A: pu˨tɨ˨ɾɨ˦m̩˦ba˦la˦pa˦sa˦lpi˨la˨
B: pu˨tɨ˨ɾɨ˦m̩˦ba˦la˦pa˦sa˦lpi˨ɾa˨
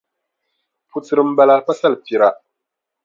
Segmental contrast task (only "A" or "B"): B